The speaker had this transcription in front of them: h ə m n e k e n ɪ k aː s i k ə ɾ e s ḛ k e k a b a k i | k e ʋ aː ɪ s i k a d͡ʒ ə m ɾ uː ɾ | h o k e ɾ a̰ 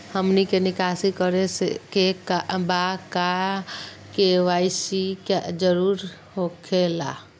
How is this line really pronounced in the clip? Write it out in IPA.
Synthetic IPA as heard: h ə m n i k e n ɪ k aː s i k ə ɾ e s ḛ k e k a b a k a | k e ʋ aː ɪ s i k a d͡ʒ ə ɾ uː ɾ | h o kʰ e l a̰